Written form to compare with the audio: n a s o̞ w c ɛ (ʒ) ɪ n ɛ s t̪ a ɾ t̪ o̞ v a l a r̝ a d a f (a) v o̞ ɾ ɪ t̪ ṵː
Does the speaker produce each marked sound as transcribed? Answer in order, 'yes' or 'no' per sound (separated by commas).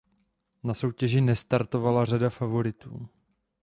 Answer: yes, yes